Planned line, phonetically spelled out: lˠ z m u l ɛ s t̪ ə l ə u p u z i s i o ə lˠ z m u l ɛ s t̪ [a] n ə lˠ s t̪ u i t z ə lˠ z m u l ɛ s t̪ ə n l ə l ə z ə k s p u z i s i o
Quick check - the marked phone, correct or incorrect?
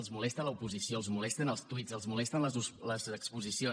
incorrect